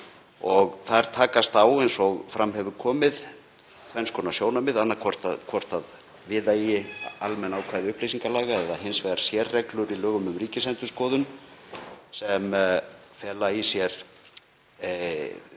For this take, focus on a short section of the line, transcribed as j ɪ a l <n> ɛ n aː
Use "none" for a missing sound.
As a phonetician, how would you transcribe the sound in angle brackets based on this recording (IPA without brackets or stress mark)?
m